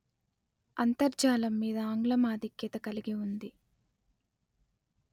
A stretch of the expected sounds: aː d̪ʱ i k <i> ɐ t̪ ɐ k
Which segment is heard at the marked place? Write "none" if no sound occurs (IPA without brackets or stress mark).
j